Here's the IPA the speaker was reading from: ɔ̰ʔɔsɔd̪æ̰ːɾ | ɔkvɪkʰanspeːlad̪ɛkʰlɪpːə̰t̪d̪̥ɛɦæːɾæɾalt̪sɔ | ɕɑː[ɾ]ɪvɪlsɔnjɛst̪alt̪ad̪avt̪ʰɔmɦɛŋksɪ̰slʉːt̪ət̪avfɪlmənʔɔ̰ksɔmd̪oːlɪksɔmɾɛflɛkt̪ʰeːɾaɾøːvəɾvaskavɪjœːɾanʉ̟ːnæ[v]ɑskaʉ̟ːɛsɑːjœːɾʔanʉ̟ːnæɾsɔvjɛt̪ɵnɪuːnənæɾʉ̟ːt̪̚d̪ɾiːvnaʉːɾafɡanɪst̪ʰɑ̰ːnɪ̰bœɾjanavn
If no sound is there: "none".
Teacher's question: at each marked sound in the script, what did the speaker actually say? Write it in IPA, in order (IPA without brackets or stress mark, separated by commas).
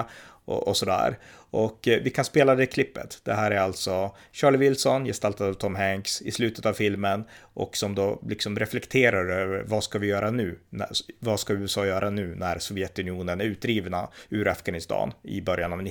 ɭ, v